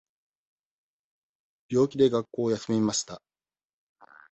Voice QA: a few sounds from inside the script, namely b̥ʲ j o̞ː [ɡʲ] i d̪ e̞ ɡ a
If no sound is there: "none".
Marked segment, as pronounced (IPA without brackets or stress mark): kʲ